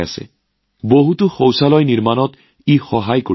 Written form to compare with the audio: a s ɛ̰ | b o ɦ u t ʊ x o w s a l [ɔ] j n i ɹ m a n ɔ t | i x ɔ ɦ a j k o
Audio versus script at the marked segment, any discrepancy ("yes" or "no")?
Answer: no